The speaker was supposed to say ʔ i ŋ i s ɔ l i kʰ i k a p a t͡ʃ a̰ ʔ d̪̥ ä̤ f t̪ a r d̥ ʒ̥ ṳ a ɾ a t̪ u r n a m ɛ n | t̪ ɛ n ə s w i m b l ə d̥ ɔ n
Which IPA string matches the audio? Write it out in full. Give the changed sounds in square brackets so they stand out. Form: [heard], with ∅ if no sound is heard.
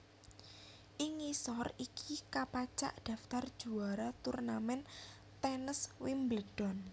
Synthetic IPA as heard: ʔ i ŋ i s ɔ [r] i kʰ i k a p a t͡ʃ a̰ ʔ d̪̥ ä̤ f t̪ a r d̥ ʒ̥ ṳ a ɾ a t̪ u r n a m ɛ n | t̪ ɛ n ə s w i m b l ə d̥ ɔ n